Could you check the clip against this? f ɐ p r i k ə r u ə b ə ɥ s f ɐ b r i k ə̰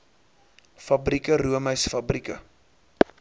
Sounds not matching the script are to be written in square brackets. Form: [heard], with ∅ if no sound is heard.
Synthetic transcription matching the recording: f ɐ [b] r i k ə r u ə [m] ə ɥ s f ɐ b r i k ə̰